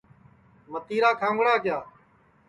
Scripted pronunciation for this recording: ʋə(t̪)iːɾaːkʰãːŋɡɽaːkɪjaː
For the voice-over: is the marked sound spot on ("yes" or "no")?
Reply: yes